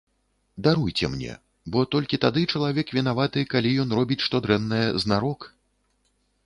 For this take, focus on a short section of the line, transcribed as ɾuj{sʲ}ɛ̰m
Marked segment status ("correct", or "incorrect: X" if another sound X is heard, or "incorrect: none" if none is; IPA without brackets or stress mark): incorrect: t͡sʲ